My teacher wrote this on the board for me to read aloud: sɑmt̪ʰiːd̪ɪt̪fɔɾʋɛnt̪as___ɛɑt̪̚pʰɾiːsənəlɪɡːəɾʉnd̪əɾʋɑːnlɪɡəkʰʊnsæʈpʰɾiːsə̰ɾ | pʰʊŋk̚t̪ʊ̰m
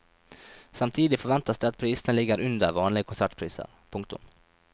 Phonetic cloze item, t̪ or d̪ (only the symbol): d̪